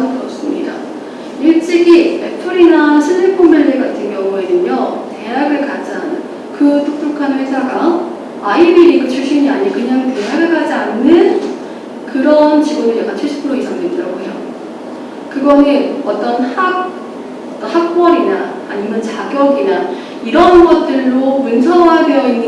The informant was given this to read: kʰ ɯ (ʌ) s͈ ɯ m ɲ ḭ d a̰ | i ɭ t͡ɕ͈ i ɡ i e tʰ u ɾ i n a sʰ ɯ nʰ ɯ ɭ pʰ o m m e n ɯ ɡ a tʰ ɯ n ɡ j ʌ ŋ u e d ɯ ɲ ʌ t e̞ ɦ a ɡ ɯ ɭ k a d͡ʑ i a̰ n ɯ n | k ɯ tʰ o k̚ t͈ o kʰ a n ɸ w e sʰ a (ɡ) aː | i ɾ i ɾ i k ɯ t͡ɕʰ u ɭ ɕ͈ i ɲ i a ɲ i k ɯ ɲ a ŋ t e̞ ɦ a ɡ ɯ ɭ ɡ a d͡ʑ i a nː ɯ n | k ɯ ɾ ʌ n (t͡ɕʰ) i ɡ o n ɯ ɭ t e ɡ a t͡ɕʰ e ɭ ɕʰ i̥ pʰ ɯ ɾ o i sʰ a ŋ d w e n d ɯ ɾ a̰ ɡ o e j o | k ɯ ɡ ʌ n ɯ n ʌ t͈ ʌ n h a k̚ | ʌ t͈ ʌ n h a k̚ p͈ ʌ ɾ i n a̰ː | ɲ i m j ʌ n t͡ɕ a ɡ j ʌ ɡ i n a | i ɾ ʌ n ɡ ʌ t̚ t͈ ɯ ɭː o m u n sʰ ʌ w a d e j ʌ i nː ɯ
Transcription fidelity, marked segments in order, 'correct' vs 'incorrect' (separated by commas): correct, correct, incorrect